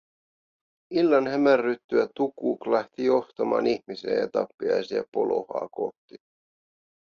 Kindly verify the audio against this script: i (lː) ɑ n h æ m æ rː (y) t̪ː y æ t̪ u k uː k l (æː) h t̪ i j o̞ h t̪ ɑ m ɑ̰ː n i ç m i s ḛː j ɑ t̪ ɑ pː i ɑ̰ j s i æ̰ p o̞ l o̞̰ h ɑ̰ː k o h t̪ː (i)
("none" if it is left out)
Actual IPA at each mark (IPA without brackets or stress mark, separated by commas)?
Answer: lː, y, æ, i